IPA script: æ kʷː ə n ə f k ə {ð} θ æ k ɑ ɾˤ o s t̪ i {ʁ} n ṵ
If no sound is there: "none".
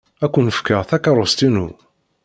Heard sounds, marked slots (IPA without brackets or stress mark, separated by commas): ʁ, none